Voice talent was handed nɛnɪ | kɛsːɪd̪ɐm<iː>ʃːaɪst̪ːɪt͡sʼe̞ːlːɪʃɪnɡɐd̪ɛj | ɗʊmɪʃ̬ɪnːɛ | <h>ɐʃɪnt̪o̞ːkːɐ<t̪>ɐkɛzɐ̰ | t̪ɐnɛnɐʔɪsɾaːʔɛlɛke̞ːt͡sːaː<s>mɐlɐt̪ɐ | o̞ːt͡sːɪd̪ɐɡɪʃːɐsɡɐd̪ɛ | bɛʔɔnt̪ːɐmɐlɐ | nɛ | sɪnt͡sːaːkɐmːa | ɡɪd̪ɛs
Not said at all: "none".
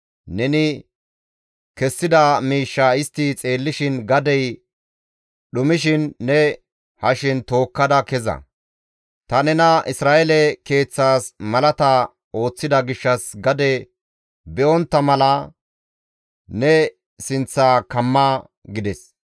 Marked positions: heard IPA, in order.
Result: iː, h, d̪, s

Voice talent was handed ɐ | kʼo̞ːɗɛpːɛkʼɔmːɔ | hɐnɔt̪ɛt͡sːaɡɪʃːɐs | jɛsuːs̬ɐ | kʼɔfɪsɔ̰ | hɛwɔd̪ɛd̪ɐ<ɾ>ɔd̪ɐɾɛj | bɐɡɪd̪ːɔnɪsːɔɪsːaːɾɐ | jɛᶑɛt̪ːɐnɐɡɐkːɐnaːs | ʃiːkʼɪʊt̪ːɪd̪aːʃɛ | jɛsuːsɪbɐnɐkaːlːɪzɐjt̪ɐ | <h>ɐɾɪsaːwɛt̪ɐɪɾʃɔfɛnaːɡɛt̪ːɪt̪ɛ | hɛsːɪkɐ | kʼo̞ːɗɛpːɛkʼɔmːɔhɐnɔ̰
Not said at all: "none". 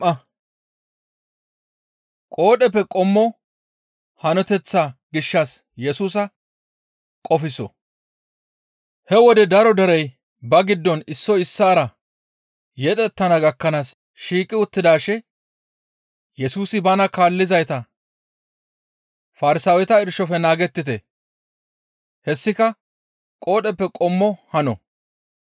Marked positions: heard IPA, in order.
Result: ɾ, f

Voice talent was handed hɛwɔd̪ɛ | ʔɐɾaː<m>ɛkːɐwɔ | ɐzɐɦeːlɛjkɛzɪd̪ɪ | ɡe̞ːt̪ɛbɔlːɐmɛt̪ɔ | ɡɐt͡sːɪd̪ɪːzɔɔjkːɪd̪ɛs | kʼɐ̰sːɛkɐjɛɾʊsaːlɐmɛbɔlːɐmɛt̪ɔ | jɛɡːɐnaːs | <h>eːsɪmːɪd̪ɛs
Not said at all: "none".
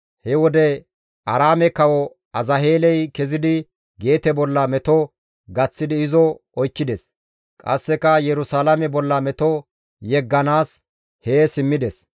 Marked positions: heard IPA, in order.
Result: m, h

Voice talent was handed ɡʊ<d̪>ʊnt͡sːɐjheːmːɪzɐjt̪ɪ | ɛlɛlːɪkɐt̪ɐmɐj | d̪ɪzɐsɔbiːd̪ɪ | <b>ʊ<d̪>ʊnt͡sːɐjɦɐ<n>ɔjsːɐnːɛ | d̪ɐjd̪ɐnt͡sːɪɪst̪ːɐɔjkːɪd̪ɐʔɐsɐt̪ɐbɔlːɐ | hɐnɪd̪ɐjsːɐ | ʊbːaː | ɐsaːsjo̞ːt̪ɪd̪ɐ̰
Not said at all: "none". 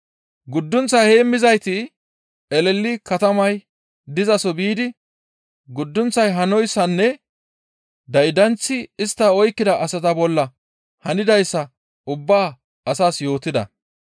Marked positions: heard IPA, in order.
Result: d̪ː, ɡ, d̪ː, n

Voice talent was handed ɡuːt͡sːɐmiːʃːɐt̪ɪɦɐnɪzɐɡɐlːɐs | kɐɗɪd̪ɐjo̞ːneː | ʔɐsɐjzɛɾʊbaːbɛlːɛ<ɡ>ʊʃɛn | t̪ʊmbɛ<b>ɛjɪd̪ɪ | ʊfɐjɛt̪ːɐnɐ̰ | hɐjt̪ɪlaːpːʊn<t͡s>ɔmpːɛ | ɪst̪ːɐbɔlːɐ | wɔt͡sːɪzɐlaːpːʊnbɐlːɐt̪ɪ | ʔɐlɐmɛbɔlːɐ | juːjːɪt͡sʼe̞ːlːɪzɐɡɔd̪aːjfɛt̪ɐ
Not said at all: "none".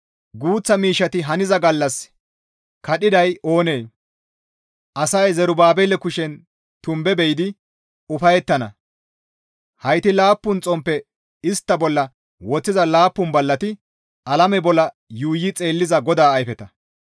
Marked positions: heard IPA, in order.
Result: k, b, t͡sʼ

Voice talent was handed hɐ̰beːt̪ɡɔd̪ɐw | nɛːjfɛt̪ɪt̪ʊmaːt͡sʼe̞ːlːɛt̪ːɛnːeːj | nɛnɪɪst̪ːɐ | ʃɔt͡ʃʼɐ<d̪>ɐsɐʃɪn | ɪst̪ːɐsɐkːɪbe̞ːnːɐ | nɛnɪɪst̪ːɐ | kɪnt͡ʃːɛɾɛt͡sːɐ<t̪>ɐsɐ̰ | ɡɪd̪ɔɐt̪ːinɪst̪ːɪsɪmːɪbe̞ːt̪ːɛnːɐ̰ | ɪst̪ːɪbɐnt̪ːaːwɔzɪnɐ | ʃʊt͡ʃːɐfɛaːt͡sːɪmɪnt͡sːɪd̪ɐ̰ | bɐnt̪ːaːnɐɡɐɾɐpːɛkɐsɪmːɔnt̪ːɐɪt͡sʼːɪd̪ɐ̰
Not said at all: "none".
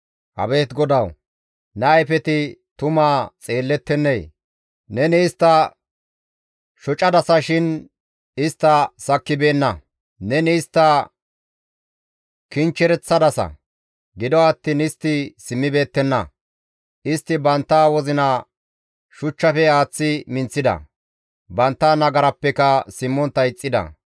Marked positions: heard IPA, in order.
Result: d̪, d̪

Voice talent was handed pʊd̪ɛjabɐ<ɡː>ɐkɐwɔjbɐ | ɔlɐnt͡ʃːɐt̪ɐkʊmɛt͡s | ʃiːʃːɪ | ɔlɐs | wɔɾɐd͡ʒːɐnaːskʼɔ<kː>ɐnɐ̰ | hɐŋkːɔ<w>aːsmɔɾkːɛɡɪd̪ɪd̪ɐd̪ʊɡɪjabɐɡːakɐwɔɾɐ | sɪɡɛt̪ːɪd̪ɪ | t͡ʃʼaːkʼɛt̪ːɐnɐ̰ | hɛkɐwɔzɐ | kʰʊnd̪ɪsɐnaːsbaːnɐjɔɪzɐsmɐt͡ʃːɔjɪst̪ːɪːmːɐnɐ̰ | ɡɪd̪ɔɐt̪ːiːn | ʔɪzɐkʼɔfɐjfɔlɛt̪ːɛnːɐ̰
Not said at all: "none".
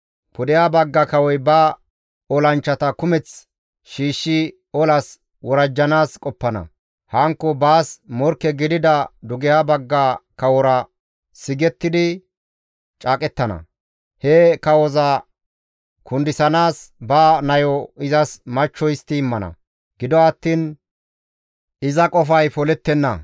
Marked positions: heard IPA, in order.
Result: ɡː, pː, b

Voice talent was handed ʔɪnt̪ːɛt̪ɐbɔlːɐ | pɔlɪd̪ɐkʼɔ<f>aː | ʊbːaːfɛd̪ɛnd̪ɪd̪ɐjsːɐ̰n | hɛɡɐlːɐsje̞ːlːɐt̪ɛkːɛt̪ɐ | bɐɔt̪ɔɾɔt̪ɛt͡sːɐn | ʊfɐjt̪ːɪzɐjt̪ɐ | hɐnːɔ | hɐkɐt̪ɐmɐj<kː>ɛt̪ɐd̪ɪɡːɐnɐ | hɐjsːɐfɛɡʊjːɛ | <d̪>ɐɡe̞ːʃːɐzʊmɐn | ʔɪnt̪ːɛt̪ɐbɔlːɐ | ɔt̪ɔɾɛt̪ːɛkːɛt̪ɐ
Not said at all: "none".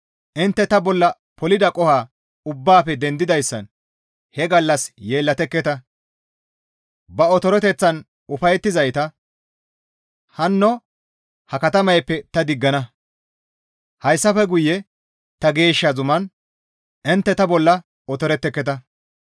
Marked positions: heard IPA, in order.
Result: h, pː, t̪

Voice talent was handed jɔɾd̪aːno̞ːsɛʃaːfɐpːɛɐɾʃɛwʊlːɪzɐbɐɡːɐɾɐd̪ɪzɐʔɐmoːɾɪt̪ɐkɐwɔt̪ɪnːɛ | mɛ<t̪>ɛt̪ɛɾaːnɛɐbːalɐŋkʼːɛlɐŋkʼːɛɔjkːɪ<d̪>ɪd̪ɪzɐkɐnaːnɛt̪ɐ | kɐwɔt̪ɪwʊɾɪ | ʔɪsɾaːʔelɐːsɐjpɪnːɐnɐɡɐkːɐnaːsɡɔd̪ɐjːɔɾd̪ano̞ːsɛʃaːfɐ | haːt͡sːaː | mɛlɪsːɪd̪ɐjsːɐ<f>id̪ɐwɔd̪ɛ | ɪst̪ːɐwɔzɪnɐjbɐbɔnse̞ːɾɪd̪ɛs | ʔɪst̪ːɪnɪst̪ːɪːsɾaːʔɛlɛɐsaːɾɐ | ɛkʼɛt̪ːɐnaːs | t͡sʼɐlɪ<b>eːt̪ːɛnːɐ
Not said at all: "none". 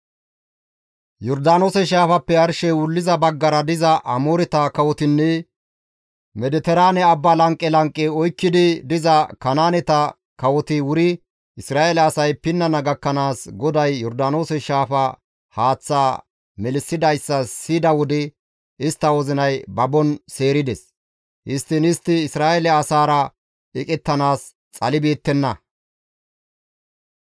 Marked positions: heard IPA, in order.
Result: d̪, d̪, s, b

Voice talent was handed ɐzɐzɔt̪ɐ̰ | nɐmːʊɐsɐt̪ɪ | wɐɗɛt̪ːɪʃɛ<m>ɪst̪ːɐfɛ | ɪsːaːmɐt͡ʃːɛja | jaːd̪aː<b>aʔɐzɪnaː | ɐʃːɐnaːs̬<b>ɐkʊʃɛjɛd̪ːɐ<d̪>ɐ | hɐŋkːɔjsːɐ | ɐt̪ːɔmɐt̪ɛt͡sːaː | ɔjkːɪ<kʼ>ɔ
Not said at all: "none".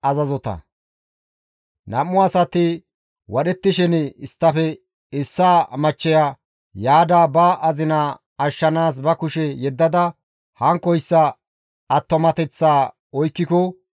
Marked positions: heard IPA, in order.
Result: n, b, b, d̪, k

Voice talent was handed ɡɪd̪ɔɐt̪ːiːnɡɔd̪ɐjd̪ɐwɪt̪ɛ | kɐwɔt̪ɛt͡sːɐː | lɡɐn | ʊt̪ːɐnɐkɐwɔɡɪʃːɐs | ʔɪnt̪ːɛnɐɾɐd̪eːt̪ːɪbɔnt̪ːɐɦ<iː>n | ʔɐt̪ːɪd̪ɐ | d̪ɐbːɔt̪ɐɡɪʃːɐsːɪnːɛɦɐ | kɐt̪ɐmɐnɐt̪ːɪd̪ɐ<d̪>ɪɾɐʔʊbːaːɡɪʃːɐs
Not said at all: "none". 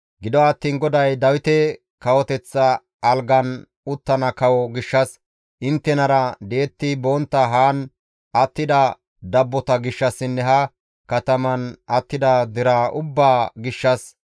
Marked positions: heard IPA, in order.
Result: aː, d̪

